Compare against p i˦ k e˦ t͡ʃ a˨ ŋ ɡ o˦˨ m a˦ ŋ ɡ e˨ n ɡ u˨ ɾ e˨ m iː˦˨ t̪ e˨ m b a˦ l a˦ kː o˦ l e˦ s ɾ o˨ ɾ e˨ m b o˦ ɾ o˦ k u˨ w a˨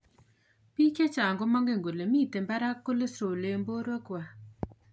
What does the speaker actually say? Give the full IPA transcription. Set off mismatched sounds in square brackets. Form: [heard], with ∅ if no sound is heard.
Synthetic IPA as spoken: p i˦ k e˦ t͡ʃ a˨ ŋ ɡ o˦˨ m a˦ ŋ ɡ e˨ [ŋ] ɡ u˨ [l] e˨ m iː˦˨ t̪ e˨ m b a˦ [ɾ] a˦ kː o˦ l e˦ s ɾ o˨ [l] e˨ m b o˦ ɾ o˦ k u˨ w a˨